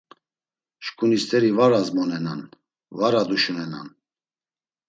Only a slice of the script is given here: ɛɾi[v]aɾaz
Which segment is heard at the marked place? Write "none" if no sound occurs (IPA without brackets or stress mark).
v